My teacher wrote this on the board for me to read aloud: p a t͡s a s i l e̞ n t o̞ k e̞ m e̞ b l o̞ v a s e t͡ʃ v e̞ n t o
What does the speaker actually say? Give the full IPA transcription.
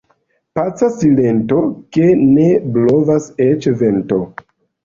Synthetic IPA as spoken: p a t͡s a s i l e̞ n t o̞ k e̞ n e̞ b l o̞ v a s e t͡ʃ v e̞ n t o